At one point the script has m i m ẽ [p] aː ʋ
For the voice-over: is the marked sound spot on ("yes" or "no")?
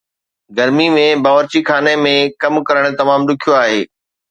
no